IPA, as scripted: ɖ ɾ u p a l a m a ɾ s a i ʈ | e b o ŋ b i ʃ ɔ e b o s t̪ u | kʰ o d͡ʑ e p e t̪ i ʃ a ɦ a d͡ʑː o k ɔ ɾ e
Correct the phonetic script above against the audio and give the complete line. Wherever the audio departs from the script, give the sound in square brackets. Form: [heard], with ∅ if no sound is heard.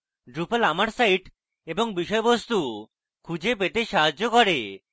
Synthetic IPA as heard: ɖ ɾ u p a l a m a ɾ s a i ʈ | e b o ŋ b i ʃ ɔ e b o s t̪ u | kʰ [u] d͡ʑ e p e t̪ [e] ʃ a ɦ a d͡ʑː o k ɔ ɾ e

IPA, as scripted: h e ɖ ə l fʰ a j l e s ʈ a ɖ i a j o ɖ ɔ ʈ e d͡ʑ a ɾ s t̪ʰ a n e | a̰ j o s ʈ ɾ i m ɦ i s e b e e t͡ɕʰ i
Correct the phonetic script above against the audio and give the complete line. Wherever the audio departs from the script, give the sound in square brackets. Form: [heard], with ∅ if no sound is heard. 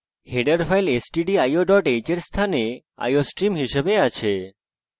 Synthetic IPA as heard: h e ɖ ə [ɾ] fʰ a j l e s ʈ [i] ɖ i a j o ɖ ɔ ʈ e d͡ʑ [e] ɾ s t̪ʰ a n e | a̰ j o s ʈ ɾ i m ɦ i [ʃ] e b e [a] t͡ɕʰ [e]

